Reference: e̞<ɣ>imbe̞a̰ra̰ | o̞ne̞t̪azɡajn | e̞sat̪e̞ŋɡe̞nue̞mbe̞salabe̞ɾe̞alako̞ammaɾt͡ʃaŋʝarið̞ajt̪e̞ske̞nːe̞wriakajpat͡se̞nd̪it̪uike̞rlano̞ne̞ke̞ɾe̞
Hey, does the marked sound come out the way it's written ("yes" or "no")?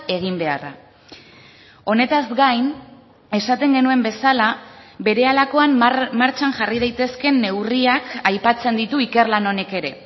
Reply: yes